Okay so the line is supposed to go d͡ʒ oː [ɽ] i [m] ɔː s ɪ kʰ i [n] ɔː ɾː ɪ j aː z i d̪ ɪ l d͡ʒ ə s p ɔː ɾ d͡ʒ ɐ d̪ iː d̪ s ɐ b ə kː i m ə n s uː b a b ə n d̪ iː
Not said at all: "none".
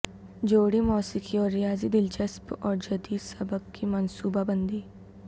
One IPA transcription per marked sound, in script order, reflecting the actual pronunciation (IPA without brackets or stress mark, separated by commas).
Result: ɽ, m, none